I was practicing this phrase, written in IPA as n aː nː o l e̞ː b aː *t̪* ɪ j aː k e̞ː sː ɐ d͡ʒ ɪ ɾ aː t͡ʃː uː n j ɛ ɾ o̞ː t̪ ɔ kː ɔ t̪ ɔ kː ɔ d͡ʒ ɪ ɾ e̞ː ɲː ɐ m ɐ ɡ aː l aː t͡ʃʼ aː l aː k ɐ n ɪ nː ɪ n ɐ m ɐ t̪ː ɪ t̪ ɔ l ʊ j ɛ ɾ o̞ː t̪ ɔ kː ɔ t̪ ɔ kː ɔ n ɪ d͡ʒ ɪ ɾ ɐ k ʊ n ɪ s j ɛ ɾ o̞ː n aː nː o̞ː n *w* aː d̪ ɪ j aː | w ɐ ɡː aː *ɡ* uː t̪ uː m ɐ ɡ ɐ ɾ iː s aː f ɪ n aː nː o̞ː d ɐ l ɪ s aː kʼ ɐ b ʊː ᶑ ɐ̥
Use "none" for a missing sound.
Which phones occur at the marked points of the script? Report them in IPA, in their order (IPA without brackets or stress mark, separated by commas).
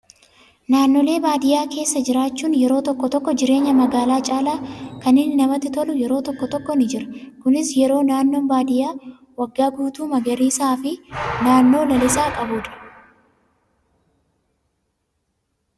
d̪, b, ɡ